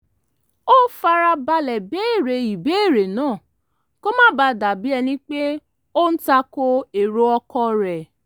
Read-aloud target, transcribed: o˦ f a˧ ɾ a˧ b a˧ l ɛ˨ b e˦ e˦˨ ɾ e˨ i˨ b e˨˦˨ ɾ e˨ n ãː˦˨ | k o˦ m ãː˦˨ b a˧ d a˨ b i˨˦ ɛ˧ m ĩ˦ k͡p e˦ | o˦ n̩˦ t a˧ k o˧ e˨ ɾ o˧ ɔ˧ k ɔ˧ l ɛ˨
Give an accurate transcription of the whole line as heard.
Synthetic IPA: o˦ f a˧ ɾ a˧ b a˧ l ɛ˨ b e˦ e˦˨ ɾ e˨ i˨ b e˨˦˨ ɾ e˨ n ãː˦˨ | k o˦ m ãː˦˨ b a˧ d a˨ b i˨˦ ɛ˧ n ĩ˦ k͡p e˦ | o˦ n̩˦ t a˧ k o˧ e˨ ɾ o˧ ɔ˧ k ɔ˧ ɾ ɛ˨